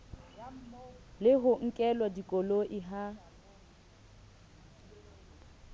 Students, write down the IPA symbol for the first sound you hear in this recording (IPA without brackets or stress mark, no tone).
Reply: l